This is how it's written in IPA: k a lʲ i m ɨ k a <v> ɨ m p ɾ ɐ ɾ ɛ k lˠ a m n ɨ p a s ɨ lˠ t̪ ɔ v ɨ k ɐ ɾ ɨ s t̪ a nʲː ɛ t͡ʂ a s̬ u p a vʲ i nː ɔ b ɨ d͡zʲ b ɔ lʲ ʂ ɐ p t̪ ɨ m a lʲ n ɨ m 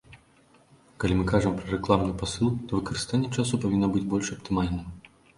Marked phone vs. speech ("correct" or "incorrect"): incorrect